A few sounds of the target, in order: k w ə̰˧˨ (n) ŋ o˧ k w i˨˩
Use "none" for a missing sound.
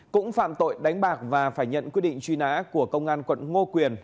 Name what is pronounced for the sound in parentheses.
n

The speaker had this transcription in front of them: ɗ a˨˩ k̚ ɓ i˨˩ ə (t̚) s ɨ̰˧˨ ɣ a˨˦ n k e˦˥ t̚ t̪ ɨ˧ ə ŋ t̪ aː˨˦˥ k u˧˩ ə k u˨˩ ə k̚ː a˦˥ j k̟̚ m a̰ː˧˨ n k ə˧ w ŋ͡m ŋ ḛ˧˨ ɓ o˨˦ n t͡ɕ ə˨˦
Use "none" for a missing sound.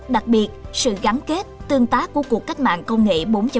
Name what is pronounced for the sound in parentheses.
t̚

